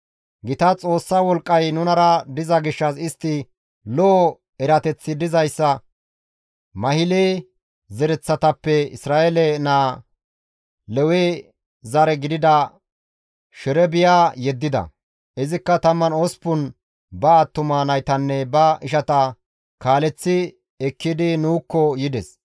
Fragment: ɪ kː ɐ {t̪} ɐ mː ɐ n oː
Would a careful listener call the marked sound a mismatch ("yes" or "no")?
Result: no